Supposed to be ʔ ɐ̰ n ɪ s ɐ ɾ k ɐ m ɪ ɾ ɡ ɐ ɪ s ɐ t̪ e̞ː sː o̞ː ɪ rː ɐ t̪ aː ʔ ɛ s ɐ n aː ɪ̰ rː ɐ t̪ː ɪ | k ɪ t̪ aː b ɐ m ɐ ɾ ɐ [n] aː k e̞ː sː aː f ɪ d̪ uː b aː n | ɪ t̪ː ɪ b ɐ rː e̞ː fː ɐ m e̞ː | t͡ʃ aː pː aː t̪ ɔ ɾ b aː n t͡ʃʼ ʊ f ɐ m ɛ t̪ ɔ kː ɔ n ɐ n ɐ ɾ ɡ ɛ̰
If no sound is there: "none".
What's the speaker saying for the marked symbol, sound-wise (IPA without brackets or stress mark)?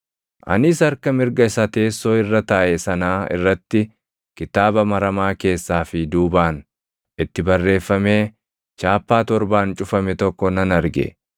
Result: m